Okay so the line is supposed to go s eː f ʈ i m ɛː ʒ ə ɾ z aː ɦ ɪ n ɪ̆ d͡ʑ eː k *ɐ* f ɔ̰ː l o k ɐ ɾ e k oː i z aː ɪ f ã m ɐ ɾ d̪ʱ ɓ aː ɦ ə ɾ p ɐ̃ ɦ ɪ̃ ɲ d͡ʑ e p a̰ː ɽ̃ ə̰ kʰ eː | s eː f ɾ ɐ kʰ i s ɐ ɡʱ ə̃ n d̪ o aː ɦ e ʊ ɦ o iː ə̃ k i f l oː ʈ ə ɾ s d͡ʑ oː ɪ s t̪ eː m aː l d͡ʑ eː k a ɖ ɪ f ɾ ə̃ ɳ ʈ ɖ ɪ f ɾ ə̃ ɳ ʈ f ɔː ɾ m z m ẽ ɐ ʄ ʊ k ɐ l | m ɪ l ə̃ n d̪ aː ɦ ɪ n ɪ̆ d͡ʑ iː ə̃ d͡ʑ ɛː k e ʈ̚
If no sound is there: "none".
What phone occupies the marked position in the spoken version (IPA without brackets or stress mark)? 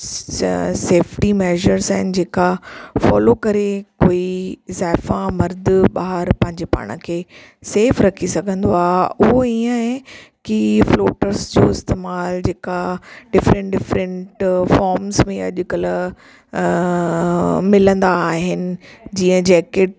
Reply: a